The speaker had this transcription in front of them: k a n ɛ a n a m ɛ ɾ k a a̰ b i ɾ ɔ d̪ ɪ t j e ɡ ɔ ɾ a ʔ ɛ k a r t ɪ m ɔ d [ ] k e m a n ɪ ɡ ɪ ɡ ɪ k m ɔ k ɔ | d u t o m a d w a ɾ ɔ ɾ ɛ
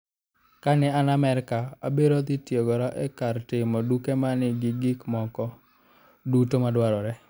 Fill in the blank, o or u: u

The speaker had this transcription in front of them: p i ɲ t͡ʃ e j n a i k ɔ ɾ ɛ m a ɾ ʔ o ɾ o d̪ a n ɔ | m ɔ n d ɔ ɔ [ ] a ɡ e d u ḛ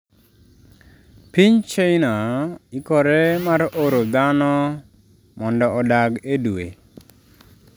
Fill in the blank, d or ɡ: d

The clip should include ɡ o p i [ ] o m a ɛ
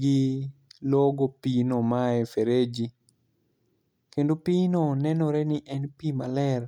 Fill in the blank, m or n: n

